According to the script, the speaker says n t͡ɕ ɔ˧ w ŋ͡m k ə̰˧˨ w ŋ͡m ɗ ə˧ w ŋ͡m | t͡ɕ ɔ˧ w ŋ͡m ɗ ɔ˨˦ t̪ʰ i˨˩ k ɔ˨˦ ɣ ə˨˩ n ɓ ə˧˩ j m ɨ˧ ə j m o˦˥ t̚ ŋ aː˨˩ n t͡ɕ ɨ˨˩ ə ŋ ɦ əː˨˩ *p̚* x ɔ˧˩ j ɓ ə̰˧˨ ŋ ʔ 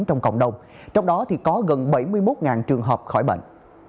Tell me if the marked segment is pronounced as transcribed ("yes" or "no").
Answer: yes